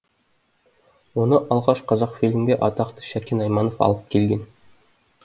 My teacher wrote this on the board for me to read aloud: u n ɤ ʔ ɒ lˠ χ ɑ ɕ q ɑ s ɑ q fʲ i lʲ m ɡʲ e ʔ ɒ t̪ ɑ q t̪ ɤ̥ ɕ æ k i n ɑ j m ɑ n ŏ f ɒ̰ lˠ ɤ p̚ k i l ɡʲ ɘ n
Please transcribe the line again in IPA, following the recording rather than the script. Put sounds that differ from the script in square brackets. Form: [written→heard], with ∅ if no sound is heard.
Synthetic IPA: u n ɤ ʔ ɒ lˠ [χ→ʁ] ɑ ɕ q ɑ [s→z] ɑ q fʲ i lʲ m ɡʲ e ʔ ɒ t̪ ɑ q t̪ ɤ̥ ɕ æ k i n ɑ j m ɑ n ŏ f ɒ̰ lˠ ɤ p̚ k i l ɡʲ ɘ n